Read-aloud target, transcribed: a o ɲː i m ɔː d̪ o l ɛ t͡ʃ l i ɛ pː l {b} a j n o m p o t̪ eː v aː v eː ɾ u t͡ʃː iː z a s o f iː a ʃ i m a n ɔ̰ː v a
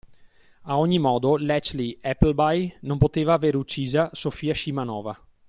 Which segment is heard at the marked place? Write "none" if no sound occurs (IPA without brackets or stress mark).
b